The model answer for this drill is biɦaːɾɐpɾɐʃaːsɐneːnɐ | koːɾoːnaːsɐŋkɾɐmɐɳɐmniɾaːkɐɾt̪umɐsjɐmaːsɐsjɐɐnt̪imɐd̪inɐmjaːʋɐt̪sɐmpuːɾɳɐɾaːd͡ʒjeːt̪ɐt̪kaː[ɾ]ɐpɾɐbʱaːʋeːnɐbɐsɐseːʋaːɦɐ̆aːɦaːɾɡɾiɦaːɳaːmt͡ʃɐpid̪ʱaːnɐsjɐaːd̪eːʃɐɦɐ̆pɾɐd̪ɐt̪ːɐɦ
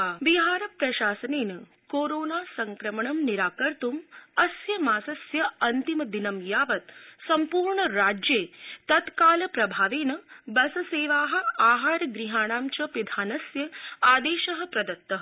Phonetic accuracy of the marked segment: incorrect: l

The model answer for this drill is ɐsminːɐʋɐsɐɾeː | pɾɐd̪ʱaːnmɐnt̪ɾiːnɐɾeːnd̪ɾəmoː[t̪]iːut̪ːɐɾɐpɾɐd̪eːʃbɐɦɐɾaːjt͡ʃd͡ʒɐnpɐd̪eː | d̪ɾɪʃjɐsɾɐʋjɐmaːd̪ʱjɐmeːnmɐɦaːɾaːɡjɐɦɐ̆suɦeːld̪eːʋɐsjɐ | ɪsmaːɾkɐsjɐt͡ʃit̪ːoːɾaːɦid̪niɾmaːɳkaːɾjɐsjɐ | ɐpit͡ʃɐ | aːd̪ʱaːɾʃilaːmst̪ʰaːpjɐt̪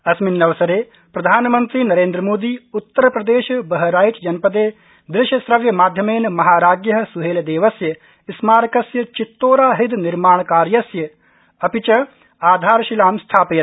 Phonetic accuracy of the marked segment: incorrect: d̪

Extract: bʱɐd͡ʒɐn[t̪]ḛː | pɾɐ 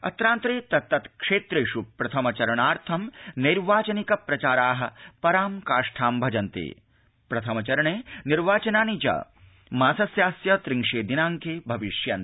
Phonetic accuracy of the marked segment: correct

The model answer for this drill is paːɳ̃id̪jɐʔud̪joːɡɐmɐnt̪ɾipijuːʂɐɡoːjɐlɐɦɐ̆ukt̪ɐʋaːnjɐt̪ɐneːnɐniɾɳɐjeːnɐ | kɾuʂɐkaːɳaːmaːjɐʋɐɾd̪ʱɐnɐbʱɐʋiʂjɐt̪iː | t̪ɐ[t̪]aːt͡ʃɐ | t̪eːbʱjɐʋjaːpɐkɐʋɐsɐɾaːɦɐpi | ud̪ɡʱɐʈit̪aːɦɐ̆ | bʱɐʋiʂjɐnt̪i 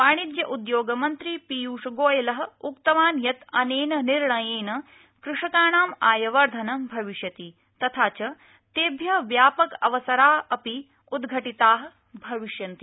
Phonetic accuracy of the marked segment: incorrect: t̪ʰ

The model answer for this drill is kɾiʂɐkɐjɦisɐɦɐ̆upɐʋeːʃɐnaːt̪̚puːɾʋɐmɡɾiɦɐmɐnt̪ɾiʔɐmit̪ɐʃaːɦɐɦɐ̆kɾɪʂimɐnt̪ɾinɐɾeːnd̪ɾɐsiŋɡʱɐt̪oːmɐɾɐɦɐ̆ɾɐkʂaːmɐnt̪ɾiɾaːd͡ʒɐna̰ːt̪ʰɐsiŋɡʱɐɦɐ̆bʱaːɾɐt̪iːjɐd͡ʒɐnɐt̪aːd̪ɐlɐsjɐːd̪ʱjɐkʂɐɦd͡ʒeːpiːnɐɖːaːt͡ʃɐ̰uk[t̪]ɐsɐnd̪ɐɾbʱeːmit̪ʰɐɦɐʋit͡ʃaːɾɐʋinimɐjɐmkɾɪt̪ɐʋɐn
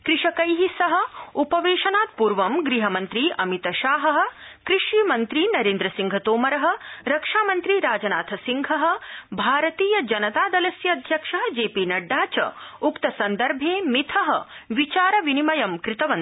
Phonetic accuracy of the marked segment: correct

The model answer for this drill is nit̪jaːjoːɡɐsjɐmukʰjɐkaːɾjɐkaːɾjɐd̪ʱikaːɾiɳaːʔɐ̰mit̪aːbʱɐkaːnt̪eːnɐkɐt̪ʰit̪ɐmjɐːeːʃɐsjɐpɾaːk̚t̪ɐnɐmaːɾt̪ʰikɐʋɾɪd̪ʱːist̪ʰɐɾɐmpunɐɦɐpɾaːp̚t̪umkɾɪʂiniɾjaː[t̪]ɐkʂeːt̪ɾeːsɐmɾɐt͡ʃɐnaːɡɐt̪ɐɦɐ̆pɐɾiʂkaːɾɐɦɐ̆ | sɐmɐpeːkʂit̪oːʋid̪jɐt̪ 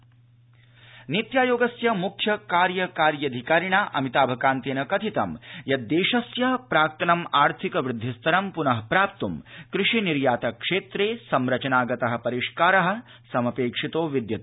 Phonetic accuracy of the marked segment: correct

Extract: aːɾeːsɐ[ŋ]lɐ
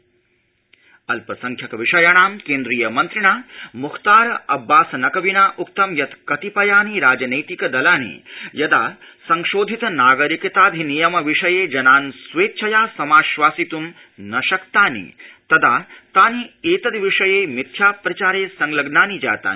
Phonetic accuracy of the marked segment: correct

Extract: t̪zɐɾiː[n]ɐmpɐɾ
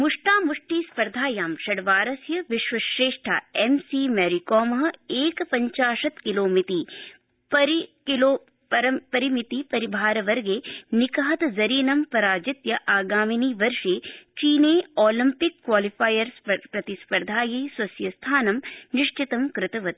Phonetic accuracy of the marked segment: correct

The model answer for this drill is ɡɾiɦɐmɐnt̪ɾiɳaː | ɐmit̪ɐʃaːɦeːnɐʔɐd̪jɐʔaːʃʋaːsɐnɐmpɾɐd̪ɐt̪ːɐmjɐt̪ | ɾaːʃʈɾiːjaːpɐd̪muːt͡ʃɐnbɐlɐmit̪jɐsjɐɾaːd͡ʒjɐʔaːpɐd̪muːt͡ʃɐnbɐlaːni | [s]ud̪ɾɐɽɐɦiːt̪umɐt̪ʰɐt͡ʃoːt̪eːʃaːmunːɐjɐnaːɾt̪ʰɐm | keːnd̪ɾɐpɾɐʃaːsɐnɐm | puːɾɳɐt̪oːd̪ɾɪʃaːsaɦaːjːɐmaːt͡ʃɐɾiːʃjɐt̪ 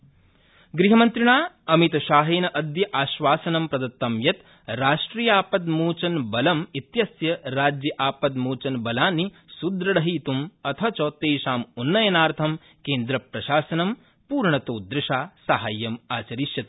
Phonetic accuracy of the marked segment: correct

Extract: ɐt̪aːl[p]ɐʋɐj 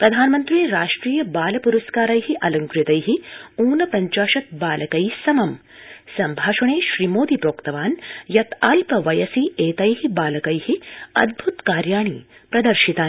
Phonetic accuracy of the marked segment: correct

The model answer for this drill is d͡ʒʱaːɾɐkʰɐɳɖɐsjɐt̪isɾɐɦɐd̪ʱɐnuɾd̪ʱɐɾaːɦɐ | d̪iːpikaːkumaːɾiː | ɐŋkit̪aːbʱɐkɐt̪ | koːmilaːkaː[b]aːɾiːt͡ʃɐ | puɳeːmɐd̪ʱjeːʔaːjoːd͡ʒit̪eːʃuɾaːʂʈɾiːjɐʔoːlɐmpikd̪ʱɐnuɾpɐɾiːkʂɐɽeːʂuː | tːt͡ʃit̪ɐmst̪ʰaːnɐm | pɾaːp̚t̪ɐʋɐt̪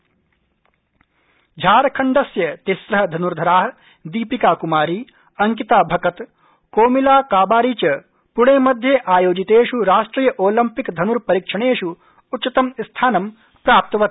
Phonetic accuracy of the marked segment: correct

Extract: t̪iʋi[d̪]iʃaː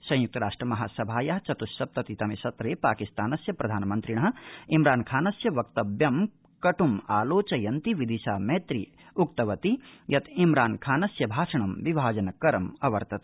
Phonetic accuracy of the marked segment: correct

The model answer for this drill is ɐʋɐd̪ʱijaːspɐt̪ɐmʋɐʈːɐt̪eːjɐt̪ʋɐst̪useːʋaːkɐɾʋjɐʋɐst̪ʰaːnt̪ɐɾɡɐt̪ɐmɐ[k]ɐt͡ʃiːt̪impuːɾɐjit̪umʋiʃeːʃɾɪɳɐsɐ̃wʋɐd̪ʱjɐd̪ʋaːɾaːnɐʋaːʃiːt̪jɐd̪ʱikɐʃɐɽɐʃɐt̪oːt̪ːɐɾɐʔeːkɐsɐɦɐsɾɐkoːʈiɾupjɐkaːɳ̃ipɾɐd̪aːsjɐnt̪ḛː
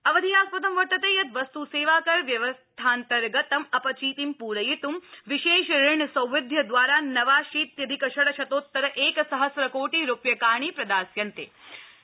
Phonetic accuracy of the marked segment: incorrect: p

